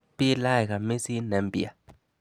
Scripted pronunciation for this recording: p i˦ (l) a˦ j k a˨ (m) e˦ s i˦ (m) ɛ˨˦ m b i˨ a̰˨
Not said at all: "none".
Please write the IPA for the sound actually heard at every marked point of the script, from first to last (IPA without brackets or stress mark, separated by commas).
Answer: l, m, n